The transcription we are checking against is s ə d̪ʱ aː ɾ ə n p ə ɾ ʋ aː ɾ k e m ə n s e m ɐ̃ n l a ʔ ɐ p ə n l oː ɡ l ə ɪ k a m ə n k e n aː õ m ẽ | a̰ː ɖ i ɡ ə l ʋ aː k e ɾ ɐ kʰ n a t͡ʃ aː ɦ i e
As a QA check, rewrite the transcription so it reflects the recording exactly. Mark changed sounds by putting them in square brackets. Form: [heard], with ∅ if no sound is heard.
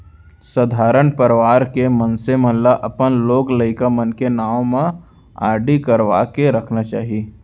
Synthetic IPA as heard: s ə d̪ʱ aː ɾ ə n p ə ɾ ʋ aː ɾ k e m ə n s e m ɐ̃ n l a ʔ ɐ p ə n l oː ɡ l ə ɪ k a m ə n k e n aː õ m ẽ | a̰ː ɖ i [k] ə [ɾ] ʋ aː k e ɾ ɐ kʰ n a t͡ʃ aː ɦ i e